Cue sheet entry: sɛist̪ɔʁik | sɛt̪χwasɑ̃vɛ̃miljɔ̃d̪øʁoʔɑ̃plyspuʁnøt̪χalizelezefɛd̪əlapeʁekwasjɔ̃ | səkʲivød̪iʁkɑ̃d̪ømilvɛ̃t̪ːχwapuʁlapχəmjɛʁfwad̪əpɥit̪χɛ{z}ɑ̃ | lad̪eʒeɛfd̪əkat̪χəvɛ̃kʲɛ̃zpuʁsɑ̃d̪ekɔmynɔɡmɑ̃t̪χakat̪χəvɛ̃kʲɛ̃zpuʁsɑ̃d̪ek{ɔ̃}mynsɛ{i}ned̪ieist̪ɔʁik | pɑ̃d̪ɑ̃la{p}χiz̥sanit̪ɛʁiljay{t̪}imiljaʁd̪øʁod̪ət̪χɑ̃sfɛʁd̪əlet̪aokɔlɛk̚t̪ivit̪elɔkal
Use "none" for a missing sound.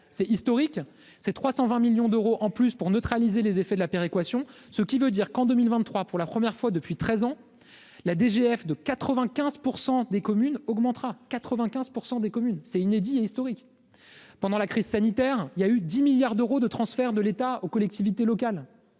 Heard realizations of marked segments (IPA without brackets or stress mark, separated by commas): z, ɔ, i, k, d̪